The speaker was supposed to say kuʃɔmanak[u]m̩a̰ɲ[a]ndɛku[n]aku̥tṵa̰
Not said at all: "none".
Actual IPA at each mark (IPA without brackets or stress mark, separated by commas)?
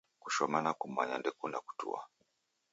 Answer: u, a, n